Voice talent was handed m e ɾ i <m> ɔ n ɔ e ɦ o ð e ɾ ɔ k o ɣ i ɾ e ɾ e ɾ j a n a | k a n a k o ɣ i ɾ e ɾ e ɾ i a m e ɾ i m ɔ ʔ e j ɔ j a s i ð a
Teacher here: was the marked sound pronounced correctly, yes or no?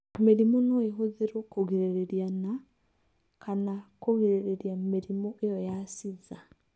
yes